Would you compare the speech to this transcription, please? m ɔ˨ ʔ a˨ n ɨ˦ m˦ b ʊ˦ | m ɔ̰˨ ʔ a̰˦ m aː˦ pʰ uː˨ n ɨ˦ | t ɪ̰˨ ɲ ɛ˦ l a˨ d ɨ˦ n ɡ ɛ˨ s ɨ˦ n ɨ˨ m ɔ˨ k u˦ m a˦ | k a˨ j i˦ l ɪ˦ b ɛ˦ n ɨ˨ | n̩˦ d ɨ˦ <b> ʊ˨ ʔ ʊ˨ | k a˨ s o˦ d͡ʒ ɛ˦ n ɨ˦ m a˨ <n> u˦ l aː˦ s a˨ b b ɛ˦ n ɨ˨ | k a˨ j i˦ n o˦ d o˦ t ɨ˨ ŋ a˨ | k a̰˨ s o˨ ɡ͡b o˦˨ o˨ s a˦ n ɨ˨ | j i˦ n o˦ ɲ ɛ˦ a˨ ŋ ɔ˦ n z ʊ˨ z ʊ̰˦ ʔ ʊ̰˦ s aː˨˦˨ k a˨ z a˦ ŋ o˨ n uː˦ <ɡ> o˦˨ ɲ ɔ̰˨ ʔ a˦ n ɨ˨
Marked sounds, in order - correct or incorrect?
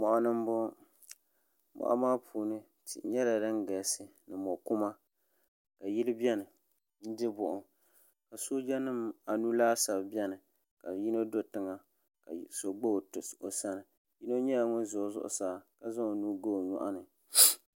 correct, correct, correct

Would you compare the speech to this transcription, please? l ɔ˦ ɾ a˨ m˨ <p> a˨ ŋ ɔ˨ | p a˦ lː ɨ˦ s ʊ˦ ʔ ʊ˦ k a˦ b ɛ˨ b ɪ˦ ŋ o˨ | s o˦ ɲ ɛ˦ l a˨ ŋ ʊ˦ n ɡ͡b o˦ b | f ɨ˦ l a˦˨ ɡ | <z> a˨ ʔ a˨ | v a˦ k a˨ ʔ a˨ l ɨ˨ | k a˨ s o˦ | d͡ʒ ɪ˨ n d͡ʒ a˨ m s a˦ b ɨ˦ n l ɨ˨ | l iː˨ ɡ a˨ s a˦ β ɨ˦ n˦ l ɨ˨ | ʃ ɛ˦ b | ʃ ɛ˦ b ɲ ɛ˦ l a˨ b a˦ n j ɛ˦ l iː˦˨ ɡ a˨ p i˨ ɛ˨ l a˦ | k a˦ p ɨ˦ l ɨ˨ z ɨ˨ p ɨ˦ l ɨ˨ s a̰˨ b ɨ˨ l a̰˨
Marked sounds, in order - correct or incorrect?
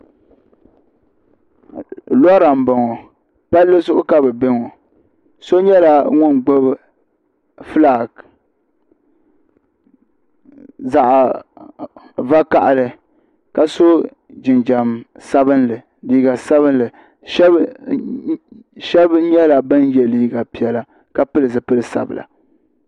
incorrect: b, correct

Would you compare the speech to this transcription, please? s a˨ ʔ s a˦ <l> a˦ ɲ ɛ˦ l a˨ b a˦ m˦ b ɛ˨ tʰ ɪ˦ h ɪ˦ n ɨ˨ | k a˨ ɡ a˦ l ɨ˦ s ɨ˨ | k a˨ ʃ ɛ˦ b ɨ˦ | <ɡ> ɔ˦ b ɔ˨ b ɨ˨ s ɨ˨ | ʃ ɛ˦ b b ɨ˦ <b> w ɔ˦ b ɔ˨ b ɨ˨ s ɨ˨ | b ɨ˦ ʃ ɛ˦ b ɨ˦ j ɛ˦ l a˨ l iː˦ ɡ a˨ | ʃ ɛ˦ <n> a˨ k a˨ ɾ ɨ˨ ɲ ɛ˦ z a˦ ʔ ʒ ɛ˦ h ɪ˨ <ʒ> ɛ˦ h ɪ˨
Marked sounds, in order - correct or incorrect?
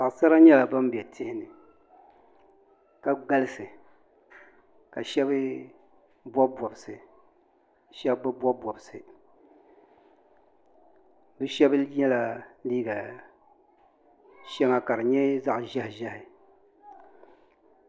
incorrect: ɾ, incorrect: b, correct, incorrect: ŋ, correct

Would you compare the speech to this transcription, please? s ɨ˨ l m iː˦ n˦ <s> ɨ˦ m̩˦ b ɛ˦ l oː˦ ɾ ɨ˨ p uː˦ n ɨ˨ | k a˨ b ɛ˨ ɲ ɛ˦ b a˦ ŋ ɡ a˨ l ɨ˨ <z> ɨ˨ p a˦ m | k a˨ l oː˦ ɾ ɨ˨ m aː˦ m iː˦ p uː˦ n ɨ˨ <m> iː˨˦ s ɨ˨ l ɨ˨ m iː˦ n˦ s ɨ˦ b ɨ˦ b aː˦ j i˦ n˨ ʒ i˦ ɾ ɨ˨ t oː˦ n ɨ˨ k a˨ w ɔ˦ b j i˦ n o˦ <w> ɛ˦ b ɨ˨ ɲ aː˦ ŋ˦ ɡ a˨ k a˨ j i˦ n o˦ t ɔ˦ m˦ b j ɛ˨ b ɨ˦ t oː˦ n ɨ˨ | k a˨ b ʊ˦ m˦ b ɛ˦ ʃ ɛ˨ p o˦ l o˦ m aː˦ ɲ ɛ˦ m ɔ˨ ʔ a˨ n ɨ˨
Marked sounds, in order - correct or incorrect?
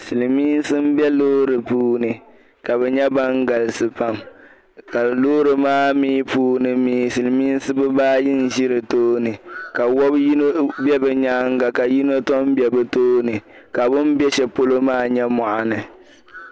correct, incorrect: s, correct, incorrect: b

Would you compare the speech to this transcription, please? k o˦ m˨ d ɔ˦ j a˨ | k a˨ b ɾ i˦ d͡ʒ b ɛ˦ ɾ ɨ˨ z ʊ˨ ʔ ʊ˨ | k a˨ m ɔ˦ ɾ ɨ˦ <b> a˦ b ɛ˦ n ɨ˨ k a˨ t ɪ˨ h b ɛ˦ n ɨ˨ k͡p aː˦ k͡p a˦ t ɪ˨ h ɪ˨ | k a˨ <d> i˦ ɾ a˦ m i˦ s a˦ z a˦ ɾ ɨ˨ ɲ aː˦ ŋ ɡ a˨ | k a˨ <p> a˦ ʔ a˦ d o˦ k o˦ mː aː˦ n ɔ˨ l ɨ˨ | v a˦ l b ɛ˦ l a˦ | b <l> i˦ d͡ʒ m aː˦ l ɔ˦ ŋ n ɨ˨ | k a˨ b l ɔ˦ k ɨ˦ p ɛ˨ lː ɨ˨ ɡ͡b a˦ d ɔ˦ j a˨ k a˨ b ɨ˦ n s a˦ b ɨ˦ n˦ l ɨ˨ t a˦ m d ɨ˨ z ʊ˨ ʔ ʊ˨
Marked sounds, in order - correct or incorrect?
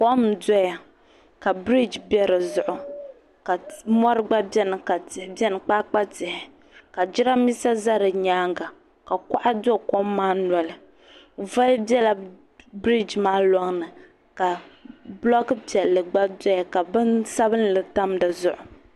incorrect: ɡ͡b, incorrect: d͡ʒ, incorrect: k, incorrect: ɾ

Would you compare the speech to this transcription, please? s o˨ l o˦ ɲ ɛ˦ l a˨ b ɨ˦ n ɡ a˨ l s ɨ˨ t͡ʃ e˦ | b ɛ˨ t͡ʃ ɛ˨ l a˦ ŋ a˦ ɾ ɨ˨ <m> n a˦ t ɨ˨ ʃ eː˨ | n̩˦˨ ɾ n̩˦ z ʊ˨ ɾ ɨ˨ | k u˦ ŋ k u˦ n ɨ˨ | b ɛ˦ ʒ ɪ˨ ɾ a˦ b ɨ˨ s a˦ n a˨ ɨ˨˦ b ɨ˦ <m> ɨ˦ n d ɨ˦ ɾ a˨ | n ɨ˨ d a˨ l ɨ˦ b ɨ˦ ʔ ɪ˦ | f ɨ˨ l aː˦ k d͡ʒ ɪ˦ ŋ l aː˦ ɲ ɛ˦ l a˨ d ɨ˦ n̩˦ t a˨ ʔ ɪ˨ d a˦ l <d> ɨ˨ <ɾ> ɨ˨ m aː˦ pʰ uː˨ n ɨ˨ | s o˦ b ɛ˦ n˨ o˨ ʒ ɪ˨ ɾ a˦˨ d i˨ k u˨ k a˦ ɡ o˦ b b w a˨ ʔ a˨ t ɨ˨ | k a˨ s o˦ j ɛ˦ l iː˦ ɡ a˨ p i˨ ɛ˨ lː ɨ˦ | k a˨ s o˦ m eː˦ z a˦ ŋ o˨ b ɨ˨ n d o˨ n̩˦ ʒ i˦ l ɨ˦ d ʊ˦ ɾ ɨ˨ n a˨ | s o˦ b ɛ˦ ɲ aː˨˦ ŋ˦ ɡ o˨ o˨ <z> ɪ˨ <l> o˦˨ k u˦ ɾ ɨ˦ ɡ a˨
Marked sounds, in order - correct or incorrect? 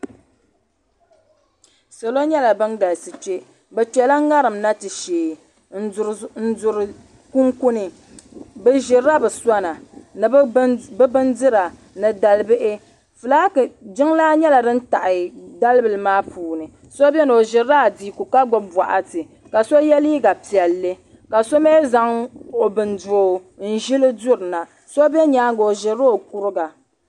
correct, incorrect: b, incorrect: b, incorrect: l, incorrect: ʒ, incorrect: ɾ

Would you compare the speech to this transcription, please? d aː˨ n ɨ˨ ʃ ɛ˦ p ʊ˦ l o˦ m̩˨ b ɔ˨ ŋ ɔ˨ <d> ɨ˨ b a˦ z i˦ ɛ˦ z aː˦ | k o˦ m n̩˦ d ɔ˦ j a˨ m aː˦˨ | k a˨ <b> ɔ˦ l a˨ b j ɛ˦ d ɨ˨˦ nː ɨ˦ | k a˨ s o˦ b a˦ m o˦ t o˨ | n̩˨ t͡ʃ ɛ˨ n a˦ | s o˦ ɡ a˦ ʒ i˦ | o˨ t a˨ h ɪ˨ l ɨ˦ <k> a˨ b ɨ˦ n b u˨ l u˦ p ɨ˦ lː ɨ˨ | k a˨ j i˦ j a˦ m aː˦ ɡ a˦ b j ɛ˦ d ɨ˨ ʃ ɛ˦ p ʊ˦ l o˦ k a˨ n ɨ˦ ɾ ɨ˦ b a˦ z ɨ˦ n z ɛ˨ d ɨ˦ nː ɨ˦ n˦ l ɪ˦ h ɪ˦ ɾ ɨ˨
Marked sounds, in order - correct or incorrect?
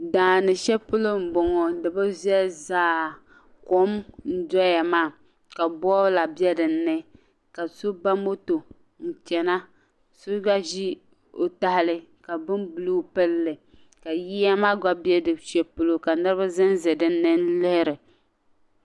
correct, correct, correct

